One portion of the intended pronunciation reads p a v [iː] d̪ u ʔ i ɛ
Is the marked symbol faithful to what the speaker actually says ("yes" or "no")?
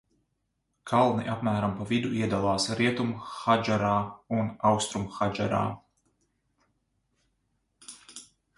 no